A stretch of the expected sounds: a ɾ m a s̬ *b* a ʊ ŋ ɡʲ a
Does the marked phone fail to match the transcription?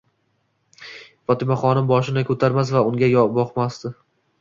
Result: yes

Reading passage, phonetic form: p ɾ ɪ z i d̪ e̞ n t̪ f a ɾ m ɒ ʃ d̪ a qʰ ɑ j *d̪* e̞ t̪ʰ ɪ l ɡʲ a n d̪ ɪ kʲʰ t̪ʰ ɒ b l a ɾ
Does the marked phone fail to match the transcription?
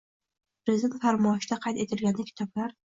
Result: yes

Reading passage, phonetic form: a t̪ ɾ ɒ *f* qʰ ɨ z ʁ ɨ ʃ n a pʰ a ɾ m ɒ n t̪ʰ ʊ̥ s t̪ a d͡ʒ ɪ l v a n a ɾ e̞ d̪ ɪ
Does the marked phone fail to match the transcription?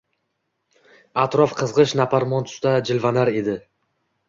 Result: no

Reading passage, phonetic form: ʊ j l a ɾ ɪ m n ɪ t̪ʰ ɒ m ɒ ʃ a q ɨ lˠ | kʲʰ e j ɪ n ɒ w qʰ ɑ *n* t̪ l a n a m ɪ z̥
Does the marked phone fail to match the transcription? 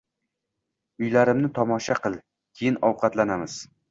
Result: yes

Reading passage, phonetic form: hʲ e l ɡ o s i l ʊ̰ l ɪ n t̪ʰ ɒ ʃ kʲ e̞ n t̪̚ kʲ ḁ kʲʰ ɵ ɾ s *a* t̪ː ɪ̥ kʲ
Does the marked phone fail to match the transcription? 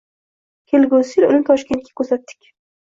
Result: no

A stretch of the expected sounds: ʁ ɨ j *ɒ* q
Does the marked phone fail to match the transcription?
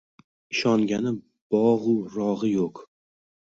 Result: yes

